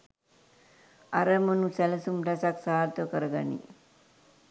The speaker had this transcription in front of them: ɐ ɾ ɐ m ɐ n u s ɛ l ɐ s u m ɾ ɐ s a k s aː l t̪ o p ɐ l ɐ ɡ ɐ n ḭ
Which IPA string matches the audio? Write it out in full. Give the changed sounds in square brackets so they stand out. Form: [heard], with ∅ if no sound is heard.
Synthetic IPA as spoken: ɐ ɾ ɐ m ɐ n u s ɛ l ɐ s u m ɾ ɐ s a k s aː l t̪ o [k] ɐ [ɾ] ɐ ɡ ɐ n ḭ